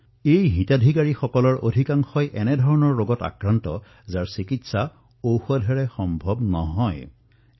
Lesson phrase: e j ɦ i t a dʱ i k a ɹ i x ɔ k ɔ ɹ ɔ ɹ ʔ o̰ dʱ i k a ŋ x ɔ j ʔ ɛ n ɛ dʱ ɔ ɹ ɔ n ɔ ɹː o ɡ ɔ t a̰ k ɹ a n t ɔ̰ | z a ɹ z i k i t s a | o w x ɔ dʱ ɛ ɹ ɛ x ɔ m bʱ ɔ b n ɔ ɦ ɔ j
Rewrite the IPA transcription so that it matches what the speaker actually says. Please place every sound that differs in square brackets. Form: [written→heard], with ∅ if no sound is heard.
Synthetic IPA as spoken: e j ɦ i t a dʱ i k a ɹ i x ɔ k ɔ [ɹ→l] ɔ ɹ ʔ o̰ dʱ i k a ŋ x ɔ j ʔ ɛ n ɛ dʱ ɔ ɹ ɔ n ɔ ɹː o ɡ ɔ t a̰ k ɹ a n t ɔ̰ | z a ɹ [z→s] i k i t s a | o w x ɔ dʱ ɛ ɹ ɛ x ɔ m bʱ ɔ b n ɔ ɦ ɔ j

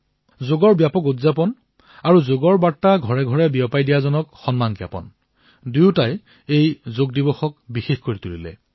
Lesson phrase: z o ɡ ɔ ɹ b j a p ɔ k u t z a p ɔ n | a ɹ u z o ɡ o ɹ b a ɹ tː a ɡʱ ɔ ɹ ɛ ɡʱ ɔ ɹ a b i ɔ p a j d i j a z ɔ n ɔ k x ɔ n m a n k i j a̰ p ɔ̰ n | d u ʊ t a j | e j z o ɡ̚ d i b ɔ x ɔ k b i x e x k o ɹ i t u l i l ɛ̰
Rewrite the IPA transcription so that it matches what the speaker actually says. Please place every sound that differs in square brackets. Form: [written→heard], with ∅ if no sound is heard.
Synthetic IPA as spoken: z o ɡ ɔ ɹ b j a p ɔ k u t z a p ɔ n | a ɹ u z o ɡ [o→ɔ] ɹ b a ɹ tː a ɡʱ ɔ ɹ ɛ ɡʱ ɔ ɹ [a→ɛ] b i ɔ p a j d i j a z ɔ n ɔ k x ɔ n m a n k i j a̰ p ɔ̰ n | d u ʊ t a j | e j z o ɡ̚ d i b ɔ x ɔ k b i x e x k o ɹ i t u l i l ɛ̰

